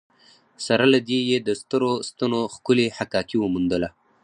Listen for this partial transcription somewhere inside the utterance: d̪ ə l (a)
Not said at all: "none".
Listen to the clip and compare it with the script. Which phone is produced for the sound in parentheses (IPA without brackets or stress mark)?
a